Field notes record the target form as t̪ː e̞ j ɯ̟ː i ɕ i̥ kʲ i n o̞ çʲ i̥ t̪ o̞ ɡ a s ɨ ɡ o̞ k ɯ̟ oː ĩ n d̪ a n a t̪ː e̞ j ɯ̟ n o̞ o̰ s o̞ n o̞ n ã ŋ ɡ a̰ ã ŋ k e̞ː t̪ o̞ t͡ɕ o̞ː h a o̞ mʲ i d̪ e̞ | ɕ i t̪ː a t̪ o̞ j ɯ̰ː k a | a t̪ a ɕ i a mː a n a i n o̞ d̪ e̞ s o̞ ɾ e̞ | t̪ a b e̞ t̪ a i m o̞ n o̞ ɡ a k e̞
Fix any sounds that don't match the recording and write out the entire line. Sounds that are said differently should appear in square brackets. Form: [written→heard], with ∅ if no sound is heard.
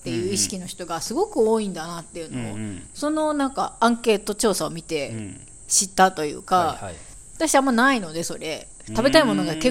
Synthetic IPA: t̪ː e̞ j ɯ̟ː i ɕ i̥ kʲ i n o̞ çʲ i̥ t̪ o̞ ɡ a s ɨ ɡ o̞ k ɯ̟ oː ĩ n d̪ a n a t̪ː e̞ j ɯ̟ n o̞ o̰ s o̞ n o̞ n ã ŋ [ɡ→k] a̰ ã ŋ k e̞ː t̪ o̞ t͡ɕ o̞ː [h→s] a o̞ mʲ i [d̪→t̪] e̞ | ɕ i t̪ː a t̪ o̞ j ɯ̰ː k a | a t̪ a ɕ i a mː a n a i n o̞ d̪ e̞ s o̞ ɾ e̞ | t̪ a b e̞ t̪ a i m o̞ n o̞ ɡ a k e̞